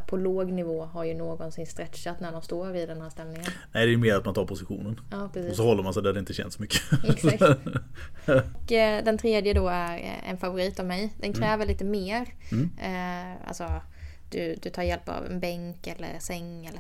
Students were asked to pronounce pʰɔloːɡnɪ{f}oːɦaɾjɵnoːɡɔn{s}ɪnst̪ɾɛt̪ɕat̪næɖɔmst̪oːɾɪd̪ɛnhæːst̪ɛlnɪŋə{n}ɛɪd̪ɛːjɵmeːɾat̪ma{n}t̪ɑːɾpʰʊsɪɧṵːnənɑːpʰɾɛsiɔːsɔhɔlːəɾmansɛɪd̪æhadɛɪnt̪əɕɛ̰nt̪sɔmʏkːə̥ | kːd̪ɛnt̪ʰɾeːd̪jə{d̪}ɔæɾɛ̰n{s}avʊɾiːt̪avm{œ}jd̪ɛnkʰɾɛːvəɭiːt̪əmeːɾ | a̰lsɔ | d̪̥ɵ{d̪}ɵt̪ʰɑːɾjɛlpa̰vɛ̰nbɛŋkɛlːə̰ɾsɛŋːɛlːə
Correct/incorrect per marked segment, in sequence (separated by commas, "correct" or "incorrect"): incorrect, correct, correct, correct, correct, incorrect, incorrect, correct